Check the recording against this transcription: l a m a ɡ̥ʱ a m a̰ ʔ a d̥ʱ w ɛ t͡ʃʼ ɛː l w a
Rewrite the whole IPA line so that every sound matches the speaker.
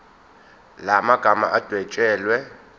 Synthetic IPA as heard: l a m a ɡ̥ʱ a m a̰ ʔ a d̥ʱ w ɛ t͡ʃʼ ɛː l w ɛ